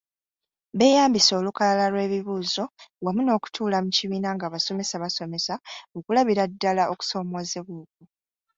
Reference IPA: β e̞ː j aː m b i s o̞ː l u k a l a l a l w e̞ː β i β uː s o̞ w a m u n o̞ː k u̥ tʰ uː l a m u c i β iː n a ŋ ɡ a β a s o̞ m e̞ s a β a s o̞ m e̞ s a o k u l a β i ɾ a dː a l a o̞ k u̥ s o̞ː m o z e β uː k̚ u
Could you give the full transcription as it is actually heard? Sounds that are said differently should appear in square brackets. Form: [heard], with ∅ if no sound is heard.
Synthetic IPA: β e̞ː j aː m b i s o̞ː l u k a l a l a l w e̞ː β i β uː [z] o̞ w a m u n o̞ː k u̥ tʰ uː l a m u c i β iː n a ŋ ɡ a β a s o̞ m e̞ s a β a s o̞ m e̞ s a o k u l a β i ɾ a dː a l a o̞ k u̥ s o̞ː m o z e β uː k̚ u